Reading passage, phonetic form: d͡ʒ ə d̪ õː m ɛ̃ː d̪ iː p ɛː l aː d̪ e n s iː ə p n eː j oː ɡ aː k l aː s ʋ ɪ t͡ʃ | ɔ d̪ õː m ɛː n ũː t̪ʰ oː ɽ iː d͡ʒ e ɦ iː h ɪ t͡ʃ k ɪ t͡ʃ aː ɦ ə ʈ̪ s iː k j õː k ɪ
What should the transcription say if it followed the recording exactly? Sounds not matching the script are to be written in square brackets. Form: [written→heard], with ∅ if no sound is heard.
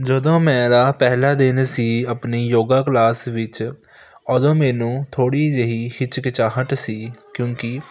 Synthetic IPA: d͡ʒ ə d̪ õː m ɛ̃ː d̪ [iː→aː] p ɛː l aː d̪ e n s iː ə p n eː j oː ɡ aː k l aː s ʋ ɪ t͡ʃ | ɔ d̪ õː m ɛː n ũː t̪ʰ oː ɽ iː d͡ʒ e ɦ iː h ɪ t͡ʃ k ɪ t͡ʃ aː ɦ ə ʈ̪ s iː k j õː k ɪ